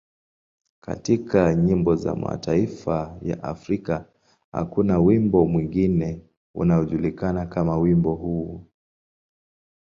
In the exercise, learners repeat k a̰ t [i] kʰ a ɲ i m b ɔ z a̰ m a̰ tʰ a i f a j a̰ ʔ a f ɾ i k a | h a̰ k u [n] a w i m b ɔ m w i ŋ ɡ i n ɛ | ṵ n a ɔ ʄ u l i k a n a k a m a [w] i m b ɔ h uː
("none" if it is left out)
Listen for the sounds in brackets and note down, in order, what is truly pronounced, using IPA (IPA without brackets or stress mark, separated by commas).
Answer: i, n, w